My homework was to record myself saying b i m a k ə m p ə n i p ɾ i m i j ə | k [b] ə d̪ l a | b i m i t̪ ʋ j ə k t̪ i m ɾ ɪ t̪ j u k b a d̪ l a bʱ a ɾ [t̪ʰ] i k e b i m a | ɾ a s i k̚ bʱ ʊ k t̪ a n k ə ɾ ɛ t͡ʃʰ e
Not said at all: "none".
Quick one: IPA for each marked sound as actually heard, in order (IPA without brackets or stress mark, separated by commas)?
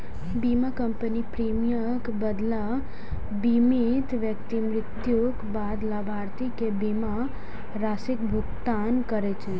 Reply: b, t̪